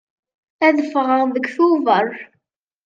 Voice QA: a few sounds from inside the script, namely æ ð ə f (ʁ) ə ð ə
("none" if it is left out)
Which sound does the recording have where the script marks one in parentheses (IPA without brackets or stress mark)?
ʁ